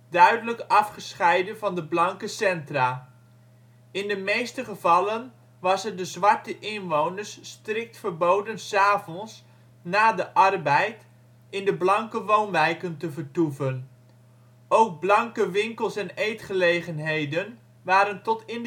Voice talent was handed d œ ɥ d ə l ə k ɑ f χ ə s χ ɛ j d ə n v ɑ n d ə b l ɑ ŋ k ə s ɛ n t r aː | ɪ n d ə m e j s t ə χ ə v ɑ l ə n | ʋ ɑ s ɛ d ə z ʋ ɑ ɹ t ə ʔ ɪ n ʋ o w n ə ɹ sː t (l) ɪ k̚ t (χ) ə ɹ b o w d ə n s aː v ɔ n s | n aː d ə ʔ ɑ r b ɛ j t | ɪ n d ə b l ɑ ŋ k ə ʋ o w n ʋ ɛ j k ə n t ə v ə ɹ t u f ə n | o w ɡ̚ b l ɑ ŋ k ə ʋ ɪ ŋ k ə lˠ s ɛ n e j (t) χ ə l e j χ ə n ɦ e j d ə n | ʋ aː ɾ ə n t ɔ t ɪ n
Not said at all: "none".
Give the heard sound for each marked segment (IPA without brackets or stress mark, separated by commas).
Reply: r, f, t